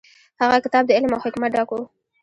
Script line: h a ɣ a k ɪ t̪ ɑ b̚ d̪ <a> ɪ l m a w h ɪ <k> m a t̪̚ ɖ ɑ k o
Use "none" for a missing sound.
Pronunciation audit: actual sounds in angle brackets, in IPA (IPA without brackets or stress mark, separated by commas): ə, k